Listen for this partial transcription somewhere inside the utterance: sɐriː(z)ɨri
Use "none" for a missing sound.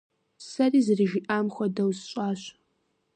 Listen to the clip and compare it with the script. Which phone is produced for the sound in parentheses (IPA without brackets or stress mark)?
z